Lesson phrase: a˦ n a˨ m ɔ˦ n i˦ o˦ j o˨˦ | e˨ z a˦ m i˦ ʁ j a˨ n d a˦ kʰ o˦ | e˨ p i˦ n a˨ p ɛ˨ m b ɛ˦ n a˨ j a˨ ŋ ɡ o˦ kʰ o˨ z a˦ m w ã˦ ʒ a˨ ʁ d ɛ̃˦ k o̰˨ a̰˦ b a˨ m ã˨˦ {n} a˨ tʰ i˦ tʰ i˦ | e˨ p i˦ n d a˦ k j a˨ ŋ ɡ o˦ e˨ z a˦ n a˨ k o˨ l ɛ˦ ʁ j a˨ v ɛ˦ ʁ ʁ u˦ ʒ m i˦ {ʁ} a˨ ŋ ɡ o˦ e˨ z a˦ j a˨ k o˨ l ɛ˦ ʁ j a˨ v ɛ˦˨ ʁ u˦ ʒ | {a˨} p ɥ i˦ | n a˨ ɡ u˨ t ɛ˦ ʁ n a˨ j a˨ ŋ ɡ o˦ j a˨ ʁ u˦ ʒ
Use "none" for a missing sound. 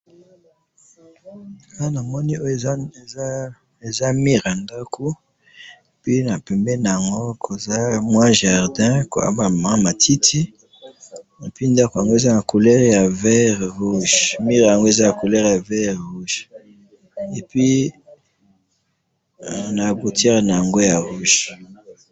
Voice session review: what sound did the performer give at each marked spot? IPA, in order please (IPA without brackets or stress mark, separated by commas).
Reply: m, ʁ, e˨